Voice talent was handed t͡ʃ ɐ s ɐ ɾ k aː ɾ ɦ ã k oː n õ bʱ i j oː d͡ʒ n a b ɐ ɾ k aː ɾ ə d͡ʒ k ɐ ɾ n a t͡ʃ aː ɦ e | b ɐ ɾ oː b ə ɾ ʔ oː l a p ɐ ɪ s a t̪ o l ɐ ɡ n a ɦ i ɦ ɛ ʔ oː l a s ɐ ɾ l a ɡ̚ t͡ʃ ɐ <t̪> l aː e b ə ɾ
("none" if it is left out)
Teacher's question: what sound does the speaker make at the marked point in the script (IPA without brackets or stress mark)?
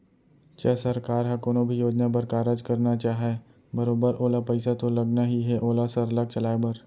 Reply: none